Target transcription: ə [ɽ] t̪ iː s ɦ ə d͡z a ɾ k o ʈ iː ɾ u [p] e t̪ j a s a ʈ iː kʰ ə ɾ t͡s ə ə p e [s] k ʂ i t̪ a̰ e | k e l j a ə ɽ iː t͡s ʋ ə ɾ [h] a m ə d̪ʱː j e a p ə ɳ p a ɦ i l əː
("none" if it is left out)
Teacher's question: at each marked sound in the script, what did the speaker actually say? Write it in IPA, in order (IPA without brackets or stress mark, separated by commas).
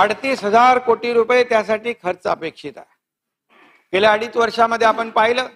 ɽ, p, none, ʂ